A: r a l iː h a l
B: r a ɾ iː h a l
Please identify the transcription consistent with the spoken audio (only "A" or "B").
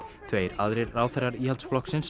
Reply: B